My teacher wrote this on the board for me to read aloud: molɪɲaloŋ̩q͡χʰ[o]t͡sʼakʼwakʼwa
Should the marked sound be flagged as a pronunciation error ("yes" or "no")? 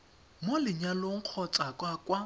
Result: yes